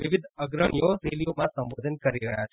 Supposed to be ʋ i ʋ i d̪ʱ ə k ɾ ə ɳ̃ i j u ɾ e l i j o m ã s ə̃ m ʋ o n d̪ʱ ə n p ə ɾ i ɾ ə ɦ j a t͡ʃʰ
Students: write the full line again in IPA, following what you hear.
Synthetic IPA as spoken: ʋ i ʋ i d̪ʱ ə ɡ ɾ ə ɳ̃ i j o ɾ e l i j o m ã s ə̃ m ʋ o d̪ʱ ə n k ə ɾ i ɾ ə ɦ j a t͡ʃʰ